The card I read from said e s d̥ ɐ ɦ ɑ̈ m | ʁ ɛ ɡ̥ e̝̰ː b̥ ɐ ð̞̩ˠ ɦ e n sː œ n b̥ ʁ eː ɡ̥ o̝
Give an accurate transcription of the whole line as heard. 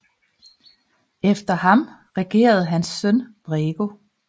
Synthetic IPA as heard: e f d̥ ɐ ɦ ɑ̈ m | ʁ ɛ ɡ̥ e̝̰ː ɐ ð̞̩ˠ ɦ æ n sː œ n b̥ ʁ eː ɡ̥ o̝

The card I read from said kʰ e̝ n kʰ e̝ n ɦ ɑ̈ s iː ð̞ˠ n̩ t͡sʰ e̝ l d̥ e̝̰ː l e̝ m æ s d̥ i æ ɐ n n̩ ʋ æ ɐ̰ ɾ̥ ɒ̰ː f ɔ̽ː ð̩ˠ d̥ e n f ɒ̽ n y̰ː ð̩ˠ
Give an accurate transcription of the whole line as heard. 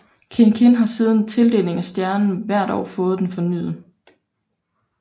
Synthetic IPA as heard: kʰ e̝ n kʰ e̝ n ɦ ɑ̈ s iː ð̞ˠ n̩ t͡sʰ e̝ l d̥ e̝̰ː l e̝ ŋ æ s d̥ j æ ɐ n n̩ ʋ æ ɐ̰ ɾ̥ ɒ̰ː f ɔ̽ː ð̩ˠ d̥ e n f ɒ̽ n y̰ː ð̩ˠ

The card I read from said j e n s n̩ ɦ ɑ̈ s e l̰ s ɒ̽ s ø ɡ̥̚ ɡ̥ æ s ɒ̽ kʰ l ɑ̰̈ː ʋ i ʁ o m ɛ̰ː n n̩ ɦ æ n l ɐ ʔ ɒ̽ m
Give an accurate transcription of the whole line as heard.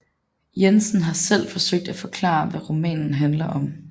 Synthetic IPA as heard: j e n s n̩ ɦ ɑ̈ s e l̰ f ɒ̽ s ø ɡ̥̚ d̥ æ f ɒ̽ kʰ l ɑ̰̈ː ʋ æ ʁ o m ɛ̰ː n n̩ ɦ æ n l ɐ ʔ ɒ̽ m

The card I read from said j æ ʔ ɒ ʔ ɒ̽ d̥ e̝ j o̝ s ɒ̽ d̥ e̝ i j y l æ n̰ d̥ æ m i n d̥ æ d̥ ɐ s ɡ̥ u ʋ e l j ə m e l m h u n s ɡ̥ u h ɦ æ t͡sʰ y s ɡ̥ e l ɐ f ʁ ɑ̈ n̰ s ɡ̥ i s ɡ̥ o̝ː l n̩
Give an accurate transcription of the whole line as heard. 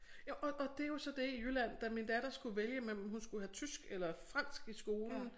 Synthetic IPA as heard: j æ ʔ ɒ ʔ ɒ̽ d̥ e̝ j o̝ s ɒ̽ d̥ e̝ i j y l æ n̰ d̥ æ m i n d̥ æ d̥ ɐ s ɡ̥ u ʋ e l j ə m e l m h u n s ɡ̥ u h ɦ æ t͡sʰ y s ɡ̥ e l ɐ f ʁ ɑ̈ n̰ s ɡ̥ i s ɡ̥ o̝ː l n̩

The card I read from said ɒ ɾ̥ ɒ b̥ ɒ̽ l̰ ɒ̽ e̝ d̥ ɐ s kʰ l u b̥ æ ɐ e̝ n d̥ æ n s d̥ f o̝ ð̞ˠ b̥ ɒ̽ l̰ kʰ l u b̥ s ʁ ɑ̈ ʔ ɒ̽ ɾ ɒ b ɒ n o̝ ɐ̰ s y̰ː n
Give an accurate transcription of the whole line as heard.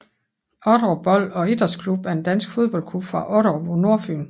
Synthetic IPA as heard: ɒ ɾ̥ ɒ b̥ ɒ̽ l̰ ɒ̽ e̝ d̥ ɐ s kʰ l u b̥ æ ɐ e̝ n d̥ æ n s ɡ̥ f o̝ ð̞ˠ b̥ ɒ̽ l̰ kʰ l u b̥ f ʁ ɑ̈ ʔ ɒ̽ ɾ ɒ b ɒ n o̝ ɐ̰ f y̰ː n

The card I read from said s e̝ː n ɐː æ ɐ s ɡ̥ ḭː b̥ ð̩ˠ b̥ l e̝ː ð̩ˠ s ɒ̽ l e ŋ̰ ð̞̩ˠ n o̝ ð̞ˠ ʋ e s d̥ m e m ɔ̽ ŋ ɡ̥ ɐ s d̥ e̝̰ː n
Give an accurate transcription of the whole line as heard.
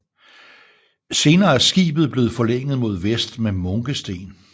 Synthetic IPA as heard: s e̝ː n ɐː æ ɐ s ɡ̥ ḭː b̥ ð̩ˠ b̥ l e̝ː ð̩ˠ f ɒ̽ l e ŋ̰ ð̞̩ˠ m o̝ ð̞ˠ ʋ e s d̥ m e m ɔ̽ ŋ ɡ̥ ə s d̥ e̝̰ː n

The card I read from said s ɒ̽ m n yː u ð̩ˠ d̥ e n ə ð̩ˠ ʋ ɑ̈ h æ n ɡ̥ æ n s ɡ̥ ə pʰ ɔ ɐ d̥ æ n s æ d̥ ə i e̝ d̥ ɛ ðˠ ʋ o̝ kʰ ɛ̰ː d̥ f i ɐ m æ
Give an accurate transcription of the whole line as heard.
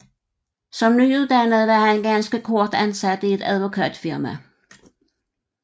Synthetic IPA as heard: s ɒ̽ m n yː u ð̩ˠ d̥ æ n ə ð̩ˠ ʋ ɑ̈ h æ n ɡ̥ æ n s ɡ̥ ə kʰ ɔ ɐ d̥ æ n s æ d̥ ə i e̝ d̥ æ ðˠ ʋ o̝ kʰ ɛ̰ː d̥ f i ɐ m æ

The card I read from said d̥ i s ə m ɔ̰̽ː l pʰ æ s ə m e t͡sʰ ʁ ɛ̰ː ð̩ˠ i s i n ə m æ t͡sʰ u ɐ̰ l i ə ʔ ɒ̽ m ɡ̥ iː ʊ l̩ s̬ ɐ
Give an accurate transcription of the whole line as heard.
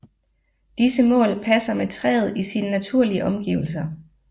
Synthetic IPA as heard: d̥ i s ə m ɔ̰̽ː l pʰ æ s ɐ m e t͡sʰ ʁ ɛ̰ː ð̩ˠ i s i n ə n æ t͡sʰ u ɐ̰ l i ə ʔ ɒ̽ m ɡ̥ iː ʊ l̩ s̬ ɐ

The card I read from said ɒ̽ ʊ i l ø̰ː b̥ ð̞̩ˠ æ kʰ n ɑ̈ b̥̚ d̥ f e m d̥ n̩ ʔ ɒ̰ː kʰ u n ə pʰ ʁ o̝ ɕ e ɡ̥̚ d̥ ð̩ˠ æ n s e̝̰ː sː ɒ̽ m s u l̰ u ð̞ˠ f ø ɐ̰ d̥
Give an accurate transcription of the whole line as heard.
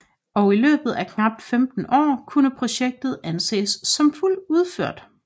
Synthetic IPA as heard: ɒ̽ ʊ i l ø̰ː b̥ ð̞̩ˠ æ kʰ n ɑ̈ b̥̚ d̥ f e m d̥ n̩ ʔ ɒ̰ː kʰ u n ə pʰ ʁ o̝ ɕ e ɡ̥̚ d̥ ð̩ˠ æ n s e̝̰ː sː ɒ̽ m f u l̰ u ð̞ˠ f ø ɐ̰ d̥

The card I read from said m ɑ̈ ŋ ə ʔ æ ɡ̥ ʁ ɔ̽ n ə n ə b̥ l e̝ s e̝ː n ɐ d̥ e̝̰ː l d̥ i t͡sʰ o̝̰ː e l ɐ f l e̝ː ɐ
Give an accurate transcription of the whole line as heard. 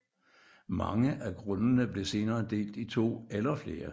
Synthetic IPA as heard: m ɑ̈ ŋ ə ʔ æ ɡ̥ ʁ ɔ̽ n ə n ə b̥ l e̝ s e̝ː n ɐː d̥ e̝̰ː l d̥ i t͡sʰ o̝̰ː e l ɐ f l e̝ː ɐ

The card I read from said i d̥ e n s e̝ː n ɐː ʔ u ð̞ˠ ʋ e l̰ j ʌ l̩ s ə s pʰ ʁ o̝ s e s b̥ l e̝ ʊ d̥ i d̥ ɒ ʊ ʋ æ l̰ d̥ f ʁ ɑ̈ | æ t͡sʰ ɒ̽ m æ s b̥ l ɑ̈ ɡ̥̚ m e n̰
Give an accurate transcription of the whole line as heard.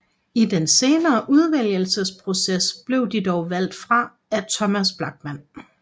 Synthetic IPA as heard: i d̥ e n s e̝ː n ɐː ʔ u ð̞ˠ ʋ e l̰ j ə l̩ s ə s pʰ ʁ o̝ s e s b̥ l e̝ ʊ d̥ i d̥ ɒ ʊ ʋ æ l̰ d̥ f ʁ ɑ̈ | æ t͡sʰ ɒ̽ m æ s b̥ l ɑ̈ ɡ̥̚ m æ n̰

